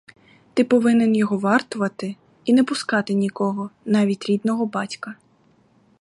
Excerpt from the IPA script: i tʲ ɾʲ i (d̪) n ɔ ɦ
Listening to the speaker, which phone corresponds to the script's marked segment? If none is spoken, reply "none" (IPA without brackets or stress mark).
d̪